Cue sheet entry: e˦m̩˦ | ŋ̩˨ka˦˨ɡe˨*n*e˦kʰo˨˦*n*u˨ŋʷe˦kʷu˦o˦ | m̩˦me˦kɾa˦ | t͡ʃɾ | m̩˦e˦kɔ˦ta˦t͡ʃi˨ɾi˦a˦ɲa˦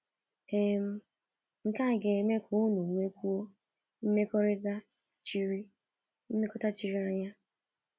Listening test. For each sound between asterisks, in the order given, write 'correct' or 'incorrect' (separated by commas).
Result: incorrect, correct